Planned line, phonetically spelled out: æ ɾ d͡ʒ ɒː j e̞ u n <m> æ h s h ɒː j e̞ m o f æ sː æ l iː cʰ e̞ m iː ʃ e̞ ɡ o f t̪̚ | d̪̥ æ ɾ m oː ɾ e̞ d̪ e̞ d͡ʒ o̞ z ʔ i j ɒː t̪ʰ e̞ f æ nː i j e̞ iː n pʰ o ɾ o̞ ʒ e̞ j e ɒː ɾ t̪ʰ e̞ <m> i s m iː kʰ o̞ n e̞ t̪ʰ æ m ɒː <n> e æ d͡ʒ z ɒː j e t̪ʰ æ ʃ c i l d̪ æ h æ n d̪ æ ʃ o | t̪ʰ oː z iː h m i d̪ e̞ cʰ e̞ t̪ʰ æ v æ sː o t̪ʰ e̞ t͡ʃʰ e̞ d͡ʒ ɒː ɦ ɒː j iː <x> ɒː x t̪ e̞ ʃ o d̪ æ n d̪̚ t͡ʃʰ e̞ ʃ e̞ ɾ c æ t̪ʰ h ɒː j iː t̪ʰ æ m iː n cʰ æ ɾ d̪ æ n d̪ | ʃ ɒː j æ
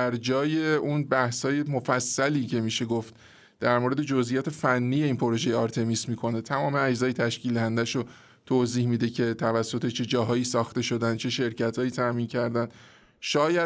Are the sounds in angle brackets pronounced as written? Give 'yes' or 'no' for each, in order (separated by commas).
no, yes, no, no